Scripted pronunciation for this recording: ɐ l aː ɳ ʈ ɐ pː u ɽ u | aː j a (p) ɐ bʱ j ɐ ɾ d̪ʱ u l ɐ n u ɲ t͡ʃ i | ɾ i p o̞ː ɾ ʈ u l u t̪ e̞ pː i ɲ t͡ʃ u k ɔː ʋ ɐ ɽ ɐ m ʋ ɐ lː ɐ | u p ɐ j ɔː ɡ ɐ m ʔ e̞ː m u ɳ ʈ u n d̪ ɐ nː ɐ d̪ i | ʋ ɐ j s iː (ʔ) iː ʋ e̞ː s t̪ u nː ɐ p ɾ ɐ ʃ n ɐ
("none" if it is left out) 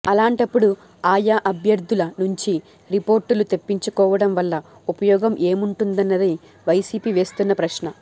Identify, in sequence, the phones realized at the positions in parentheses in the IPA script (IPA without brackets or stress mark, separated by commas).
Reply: ʔ, p